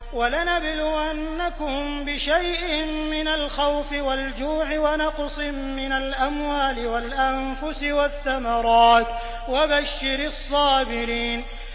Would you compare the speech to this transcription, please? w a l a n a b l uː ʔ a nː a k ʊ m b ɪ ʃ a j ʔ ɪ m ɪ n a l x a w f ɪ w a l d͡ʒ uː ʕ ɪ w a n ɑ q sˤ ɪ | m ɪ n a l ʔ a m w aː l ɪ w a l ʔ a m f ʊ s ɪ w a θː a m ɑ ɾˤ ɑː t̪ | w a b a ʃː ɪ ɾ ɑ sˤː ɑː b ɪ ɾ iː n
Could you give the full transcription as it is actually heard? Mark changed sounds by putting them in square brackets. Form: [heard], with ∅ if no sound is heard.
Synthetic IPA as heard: w a l a n a b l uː ʔ a nː a k ʊ m b ɪ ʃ a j ʔ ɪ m ɪ n a l x a w f ɪ w a l d͡ʒ uː ʕ ɪ w a n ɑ q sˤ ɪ | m ɪ n a l ʔ a m w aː l ɪ w a l ʔ a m f ʊ s ɪ w a θː a m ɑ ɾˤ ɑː t̪ | w a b a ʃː ɪ ɾ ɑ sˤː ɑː b ɪ ɾ iː n